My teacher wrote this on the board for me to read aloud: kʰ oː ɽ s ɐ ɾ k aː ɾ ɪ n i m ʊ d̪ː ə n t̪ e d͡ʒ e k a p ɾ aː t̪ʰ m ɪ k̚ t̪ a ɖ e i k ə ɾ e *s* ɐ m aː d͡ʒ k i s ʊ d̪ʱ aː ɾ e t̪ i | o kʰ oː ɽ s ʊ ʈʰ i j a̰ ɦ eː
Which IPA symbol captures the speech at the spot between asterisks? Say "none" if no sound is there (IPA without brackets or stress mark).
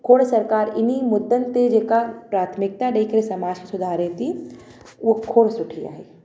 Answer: s